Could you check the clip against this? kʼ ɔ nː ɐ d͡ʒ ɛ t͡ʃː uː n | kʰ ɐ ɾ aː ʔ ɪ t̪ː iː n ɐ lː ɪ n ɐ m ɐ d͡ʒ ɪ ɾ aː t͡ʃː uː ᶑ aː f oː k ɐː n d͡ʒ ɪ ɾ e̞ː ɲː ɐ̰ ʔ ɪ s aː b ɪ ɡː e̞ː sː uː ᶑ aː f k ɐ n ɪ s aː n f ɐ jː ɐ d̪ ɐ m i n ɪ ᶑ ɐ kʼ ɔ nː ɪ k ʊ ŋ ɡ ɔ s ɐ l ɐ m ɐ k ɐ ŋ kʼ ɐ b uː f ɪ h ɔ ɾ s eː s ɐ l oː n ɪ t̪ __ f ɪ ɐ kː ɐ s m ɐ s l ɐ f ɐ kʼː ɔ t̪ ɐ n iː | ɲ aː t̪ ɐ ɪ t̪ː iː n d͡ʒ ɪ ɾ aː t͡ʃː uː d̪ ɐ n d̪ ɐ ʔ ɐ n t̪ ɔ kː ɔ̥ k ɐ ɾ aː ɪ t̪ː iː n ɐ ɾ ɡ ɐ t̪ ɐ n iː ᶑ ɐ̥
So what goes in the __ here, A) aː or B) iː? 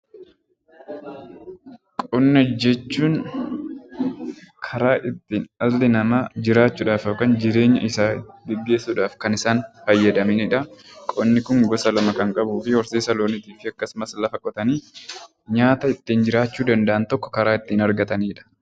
B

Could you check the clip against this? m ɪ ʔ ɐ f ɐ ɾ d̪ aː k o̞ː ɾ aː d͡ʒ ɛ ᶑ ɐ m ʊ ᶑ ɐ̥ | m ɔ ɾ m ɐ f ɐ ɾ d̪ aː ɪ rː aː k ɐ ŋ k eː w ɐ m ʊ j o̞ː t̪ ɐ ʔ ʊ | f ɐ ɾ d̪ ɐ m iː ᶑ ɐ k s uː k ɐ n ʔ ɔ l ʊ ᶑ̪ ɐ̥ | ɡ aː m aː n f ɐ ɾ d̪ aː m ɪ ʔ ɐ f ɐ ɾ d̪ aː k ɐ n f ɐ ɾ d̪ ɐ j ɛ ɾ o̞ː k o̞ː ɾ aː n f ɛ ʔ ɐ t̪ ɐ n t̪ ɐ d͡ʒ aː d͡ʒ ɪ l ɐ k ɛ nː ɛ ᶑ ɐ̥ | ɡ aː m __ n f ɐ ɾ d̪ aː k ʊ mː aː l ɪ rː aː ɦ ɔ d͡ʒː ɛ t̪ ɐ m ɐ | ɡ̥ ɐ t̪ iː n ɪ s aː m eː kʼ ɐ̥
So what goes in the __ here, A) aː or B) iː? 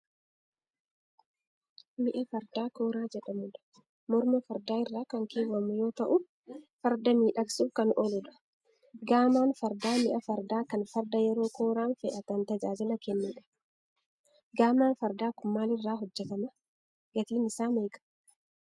A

